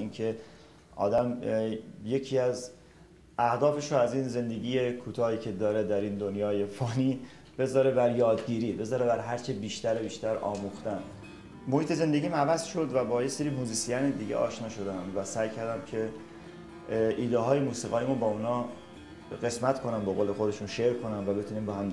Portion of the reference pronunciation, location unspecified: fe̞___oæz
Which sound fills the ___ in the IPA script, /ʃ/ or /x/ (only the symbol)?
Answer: ʃ